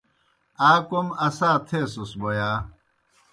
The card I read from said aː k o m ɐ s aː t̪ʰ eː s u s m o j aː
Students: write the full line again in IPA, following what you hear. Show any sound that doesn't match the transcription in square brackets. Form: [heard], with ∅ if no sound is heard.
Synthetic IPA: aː k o m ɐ s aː t̪ʰ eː s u s [b] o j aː